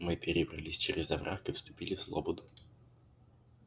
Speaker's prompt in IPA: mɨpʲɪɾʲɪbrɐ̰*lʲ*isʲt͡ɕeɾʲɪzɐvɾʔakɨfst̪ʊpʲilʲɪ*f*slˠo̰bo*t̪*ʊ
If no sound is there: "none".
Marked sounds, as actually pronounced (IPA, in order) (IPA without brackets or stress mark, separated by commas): lʲ, f, d̪